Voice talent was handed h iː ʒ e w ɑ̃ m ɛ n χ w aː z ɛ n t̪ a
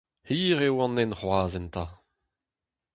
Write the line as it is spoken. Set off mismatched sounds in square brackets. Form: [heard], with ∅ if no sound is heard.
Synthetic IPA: h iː [ʁ] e w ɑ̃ [n] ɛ n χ w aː z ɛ n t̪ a